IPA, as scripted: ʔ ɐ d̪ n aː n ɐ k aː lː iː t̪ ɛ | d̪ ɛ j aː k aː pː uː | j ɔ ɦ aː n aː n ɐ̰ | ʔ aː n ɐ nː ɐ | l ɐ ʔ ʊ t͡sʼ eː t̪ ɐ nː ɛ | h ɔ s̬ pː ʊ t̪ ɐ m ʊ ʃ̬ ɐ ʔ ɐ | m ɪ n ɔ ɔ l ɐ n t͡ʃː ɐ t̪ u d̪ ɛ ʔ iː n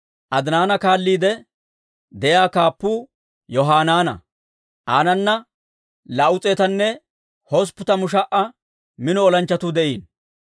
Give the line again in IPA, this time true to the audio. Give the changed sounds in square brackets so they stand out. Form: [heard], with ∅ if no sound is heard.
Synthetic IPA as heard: ʔ ɐ d̪ n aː n ɐ k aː lː iː [d̪] ɛ | d̪ ɛ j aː k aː pː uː | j ɔ ɦ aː n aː n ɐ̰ | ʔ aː n ɐ nː ɐ | l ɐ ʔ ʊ t͡sʼ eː t̪ ɐ nː ɛ | h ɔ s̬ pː ʊ t̪ ɐ m ʊ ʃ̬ ɐ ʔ ɐ | m ɪ n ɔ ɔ l ɐ n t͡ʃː ɐ t̪ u d̪ ɛ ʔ iː n